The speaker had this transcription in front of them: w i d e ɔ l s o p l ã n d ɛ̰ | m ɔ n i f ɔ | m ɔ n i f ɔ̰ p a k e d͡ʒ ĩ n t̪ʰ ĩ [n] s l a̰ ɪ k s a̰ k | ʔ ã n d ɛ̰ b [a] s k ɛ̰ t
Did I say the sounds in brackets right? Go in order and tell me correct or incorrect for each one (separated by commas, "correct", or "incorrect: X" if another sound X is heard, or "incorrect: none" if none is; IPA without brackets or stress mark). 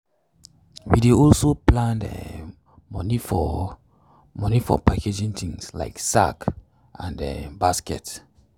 incorrect: ŋ, correct